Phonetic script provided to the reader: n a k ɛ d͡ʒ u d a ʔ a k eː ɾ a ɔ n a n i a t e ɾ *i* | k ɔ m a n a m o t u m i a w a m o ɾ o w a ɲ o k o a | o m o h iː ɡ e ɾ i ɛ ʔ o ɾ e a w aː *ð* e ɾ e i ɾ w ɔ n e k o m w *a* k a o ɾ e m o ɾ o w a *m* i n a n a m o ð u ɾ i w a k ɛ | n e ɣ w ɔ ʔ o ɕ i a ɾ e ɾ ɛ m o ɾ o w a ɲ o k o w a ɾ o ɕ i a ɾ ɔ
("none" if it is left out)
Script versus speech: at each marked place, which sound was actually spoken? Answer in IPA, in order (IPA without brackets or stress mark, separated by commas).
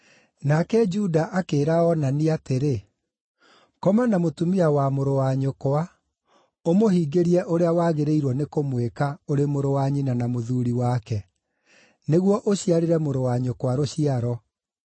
e, ɣ, e, ɲ